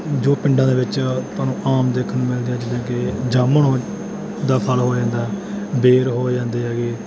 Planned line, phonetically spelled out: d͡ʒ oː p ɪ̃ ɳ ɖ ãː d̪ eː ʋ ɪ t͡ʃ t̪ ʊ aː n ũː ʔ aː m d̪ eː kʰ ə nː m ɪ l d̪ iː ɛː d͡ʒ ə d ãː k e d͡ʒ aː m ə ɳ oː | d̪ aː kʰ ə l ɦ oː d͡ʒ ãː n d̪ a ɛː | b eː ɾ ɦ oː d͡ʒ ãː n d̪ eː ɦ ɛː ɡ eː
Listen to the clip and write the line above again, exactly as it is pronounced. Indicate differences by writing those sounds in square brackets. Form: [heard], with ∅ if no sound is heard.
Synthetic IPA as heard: d͡ʒ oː p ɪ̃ ɳ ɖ ãː d̪ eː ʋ ɪ t͡ʃ t̪ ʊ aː n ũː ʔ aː m d̪ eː kʰ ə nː m ɪ l d̪ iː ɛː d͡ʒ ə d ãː k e d͡ʒ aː m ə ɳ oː | d̪ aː [pʰ] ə l ɦ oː d͡ʒ ãː n d̪ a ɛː | b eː ɾ ɦ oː d͡ʒ ãː n d̪ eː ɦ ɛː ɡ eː